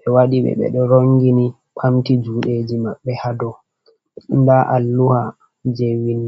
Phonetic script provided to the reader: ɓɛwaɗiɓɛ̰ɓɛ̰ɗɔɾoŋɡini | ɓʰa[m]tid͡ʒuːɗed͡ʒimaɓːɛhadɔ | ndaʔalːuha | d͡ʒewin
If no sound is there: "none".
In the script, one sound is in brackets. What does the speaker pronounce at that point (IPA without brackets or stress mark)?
m